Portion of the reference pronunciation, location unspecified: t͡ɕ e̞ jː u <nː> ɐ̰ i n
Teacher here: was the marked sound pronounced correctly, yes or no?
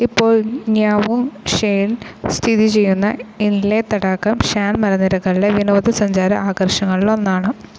yes